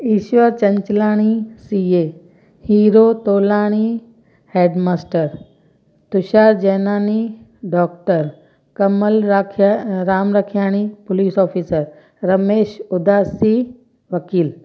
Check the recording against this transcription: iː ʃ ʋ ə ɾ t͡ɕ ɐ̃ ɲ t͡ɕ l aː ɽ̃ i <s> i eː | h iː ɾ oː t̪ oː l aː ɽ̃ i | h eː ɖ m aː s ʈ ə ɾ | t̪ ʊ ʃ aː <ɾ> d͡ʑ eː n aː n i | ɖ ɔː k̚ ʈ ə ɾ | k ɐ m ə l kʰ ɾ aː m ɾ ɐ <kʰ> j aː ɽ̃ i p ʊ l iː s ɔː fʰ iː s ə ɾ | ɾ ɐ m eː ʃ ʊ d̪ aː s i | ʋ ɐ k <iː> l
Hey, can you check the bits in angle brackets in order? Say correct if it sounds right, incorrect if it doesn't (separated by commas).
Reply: correct, correct, correct, correct